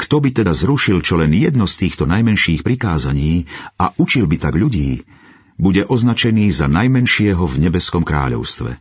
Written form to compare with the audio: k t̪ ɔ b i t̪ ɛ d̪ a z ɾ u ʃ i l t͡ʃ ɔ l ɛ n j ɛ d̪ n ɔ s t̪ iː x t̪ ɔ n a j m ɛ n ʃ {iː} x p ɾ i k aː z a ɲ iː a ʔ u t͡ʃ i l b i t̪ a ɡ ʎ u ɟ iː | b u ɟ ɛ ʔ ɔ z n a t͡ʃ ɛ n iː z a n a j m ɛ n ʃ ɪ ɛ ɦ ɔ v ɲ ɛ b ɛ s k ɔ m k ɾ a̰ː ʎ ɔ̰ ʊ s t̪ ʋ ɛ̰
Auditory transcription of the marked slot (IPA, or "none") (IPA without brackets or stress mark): iː